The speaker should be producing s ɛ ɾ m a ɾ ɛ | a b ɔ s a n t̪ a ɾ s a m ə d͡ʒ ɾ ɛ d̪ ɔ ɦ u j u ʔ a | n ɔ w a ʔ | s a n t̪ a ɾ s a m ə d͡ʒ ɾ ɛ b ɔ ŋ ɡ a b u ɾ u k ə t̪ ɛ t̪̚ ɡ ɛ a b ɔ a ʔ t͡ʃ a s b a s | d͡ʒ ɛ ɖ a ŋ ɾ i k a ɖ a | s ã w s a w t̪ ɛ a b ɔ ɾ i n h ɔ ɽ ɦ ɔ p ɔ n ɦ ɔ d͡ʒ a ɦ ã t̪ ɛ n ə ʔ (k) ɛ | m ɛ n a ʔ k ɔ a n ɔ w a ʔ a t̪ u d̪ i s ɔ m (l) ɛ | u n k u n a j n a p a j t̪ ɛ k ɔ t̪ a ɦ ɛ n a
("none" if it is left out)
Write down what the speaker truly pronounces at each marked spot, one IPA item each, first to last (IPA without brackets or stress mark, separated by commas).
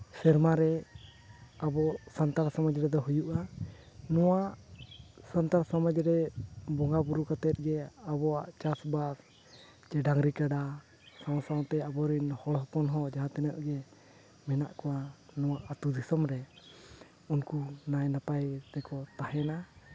ɡ, ɾ